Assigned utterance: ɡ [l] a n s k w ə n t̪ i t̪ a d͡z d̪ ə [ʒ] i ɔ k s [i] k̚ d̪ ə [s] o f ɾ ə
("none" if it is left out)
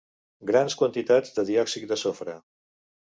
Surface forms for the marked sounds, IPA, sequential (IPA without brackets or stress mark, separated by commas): ɾ, ð, i, s